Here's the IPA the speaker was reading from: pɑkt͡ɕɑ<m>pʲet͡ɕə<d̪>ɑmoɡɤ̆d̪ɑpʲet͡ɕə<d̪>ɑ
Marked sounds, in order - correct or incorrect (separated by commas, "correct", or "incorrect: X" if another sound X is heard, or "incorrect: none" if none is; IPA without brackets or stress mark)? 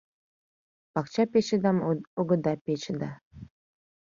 incorrect: none, correct, correct